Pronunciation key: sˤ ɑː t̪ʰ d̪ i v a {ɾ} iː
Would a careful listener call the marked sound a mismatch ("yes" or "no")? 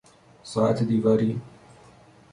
no